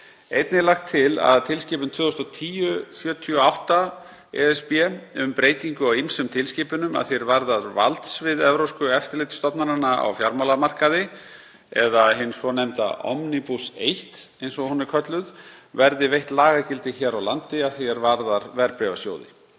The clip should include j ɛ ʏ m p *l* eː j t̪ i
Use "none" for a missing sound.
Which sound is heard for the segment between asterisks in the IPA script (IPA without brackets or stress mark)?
ɾ